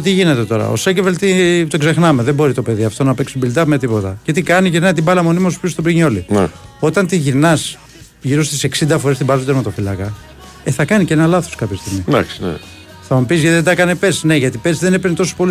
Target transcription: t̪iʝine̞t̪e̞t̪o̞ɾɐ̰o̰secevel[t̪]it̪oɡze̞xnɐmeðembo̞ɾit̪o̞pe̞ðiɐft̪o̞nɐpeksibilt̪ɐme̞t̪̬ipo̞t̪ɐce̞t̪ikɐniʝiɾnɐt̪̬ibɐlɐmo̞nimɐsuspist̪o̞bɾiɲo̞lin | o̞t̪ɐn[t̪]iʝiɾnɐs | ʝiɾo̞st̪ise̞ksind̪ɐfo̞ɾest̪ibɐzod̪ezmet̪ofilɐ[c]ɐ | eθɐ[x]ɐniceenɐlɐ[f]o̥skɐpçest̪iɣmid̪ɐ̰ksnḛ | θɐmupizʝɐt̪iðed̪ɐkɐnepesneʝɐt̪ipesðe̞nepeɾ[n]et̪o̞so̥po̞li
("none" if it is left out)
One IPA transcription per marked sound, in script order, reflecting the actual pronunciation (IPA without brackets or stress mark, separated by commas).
t̪, t̪, k, k, θ, n